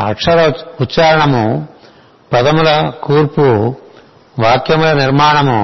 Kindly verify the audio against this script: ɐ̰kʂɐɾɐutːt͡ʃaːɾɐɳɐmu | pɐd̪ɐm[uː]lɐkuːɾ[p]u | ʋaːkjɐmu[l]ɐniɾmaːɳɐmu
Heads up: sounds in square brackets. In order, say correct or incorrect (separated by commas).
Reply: incorrect, correct, correct